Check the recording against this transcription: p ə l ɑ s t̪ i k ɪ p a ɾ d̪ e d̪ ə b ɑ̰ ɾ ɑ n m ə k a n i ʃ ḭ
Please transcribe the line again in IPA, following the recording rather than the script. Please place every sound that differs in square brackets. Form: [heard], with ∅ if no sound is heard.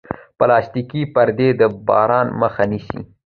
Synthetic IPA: p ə l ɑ s t̪ i k [i] p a ɾ d̪ e d̪ ə b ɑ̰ ɾ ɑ n m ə [x] a n i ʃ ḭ